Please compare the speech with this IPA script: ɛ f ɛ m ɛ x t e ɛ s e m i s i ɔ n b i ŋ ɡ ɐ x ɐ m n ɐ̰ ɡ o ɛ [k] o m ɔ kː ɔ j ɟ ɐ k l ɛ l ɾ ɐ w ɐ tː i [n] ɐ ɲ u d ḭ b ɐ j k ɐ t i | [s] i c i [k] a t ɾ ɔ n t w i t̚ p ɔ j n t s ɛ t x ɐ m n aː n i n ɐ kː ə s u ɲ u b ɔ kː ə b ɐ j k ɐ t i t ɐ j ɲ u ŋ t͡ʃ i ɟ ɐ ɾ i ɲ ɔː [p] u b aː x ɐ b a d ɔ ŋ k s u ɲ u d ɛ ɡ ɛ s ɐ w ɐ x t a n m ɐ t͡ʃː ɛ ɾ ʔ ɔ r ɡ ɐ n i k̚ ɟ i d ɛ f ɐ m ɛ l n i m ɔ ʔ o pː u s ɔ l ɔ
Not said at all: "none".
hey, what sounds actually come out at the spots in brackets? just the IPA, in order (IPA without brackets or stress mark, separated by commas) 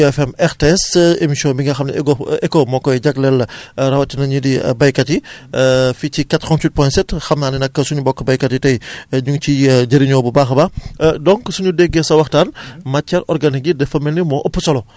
k, n, f, k, b